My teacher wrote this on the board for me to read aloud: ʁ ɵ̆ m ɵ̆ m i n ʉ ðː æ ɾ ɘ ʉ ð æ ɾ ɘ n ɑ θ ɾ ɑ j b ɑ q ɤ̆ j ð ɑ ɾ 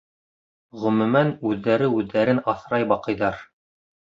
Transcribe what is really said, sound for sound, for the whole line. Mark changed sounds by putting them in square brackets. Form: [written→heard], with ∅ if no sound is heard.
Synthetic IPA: ʁ ɵ̆ m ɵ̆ m [i→æ] n ʉ ðː æ ɾ ɘ ʉ [ð→ðː] æ ɾ ɘ n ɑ θ ɾ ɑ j b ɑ q ɤ̆ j ð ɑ ɾ